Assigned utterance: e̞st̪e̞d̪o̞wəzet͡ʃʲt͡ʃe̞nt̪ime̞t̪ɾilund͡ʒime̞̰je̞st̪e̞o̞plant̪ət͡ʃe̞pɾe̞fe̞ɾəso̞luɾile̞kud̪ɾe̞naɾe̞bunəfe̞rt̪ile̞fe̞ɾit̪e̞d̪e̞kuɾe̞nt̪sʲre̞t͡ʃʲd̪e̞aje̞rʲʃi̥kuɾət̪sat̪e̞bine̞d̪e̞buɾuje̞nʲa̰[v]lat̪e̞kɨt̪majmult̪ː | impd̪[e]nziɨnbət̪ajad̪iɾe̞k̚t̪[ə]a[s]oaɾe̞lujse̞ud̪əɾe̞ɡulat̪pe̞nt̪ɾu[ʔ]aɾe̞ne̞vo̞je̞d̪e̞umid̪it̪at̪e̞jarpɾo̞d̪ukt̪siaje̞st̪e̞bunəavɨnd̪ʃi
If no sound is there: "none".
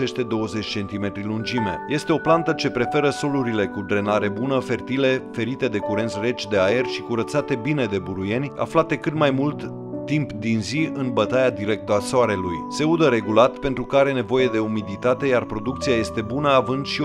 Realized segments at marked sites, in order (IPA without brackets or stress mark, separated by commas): f, i, ə, s, k